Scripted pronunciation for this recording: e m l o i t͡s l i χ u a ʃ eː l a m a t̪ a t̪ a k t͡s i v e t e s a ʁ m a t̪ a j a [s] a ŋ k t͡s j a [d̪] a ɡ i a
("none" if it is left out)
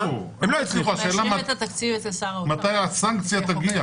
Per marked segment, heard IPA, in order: s, t̪

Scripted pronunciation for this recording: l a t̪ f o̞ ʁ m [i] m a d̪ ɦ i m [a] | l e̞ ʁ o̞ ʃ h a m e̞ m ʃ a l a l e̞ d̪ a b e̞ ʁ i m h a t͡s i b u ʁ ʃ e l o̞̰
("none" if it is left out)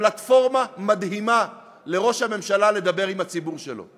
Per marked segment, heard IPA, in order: a, a

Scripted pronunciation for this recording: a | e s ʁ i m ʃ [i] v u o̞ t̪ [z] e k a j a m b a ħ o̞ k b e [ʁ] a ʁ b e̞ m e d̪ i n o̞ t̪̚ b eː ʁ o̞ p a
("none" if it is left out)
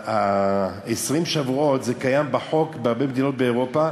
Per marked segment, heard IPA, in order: a, z, none

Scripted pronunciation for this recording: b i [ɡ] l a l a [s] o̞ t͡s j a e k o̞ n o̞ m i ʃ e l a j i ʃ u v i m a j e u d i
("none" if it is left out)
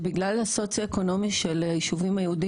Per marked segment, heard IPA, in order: ɡ, s

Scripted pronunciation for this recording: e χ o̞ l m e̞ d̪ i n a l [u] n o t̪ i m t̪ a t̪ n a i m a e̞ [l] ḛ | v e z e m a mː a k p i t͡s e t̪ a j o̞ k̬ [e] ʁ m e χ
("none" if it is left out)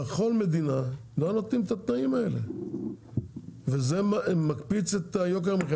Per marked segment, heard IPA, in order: o, l, e

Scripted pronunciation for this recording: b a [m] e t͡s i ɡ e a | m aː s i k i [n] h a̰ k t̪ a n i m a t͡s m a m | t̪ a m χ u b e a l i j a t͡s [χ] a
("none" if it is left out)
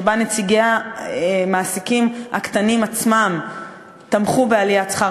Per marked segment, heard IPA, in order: n, m, χ

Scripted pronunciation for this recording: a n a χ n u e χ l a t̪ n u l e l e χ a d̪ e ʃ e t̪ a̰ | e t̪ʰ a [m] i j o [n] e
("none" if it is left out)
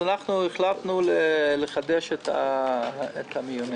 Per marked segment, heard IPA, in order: m, n

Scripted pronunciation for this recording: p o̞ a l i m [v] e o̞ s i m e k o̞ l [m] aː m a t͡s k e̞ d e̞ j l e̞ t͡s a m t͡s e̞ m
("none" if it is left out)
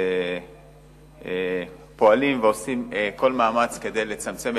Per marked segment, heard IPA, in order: v, m

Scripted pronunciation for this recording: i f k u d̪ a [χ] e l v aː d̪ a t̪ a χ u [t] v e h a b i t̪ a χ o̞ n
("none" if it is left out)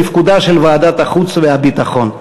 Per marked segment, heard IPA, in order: ʃ, t͡s

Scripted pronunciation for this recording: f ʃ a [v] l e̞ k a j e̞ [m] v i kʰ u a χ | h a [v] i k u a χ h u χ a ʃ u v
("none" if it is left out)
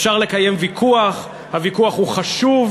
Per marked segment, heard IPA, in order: ʁ, m, v

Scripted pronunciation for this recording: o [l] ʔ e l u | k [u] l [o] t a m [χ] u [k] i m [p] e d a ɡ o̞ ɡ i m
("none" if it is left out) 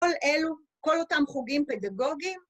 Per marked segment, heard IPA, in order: l, o, o, χ, ɡ, p

